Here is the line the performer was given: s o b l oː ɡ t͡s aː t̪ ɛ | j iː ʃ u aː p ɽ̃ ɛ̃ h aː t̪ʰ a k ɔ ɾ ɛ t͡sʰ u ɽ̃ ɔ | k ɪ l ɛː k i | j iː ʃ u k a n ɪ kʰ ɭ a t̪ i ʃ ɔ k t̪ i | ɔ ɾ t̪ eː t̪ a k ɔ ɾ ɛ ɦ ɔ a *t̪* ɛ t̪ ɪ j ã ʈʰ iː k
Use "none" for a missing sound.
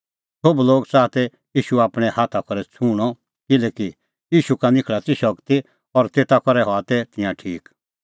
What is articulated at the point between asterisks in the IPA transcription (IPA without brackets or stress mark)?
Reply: t̪